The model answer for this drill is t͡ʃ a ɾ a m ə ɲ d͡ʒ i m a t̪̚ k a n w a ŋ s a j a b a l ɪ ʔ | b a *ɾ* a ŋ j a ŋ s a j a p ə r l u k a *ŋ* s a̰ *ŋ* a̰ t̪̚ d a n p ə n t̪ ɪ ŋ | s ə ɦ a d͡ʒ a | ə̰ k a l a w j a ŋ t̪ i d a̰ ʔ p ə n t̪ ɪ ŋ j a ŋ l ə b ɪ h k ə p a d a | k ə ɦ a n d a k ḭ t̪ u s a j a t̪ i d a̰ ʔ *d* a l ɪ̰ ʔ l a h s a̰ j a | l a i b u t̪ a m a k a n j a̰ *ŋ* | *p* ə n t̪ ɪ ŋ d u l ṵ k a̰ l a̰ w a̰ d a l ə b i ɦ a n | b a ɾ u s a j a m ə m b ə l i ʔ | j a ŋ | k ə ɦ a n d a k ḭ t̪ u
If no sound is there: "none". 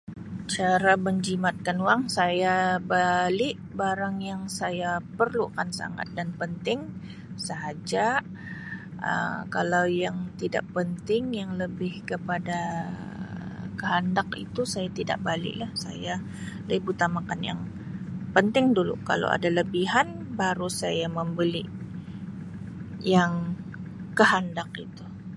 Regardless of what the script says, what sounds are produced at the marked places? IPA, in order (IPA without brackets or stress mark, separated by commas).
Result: ɾ, n, ŋ, b, ŋ, p